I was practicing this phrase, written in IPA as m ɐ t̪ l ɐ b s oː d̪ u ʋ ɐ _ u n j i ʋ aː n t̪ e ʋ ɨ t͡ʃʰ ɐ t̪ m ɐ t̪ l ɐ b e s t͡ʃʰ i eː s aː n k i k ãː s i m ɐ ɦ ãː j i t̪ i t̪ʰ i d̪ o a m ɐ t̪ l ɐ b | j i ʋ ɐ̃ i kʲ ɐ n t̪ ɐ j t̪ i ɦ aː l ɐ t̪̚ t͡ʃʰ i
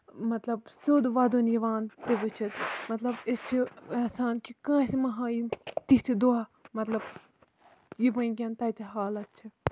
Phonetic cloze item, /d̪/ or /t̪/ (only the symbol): d̪